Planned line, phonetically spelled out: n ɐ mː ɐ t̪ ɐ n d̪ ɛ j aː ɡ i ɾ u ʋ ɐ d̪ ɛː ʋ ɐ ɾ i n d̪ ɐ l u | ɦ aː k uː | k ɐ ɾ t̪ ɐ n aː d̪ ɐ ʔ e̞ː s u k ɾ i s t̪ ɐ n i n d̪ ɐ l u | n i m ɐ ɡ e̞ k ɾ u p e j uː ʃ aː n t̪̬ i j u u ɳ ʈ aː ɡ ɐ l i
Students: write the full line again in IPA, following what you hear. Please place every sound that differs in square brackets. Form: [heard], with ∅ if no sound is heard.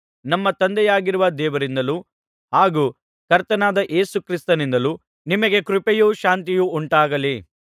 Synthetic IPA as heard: n ɐ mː ɐ t̪ ɐ n d̪ ɛ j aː ɡ i ɾ u ʋ ɐ d̪ ɛː ʋ ɐ ɾ i n d̪ ɐ l u | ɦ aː [ɡ] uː | k ɐ ɾ t̪ ɐ n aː d̪ ɐ ʔ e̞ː s u k ɾ i s t̪ ɐ n i n d̪ ɐ l u | n i m ɐ ɡ e̞ k ɾ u p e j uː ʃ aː n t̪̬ i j u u ɳ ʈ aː ɡ ɐ l i